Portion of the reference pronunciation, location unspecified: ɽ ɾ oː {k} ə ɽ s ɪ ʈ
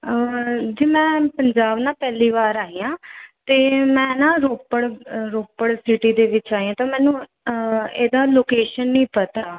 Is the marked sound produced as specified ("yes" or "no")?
no